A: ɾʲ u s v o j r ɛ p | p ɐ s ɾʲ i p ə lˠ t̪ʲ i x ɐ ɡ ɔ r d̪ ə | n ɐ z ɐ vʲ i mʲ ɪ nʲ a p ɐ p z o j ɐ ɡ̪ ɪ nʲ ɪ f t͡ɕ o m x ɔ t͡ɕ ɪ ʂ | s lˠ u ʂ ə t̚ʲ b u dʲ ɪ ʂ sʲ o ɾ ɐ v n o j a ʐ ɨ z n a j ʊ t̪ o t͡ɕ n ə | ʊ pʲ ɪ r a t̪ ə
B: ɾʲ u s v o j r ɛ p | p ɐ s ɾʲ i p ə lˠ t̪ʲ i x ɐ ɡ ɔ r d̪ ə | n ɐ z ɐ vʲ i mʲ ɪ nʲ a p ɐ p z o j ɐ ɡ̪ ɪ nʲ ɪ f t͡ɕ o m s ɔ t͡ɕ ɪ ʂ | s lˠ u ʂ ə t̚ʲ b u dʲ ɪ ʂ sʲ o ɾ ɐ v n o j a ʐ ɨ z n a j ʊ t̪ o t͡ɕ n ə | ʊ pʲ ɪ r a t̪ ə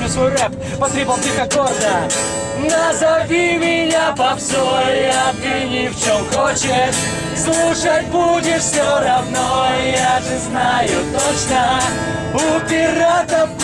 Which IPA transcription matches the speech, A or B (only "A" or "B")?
A